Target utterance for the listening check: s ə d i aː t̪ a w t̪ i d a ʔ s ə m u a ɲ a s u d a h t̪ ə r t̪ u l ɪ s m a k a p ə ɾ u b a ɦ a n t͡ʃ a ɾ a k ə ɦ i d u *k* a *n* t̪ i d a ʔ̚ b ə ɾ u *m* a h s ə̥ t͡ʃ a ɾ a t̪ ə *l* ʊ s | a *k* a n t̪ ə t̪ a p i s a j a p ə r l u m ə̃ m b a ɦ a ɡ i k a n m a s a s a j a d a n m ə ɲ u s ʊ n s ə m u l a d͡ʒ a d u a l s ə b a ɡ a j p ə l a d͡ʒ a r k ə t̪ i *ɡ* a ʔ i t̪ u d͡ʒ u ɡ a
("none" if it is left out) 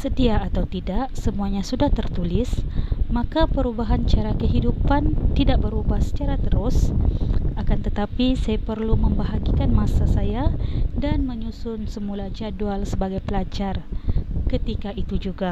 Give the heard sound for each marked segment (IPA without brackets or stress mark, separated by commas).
p, n, b, ɾ, k, k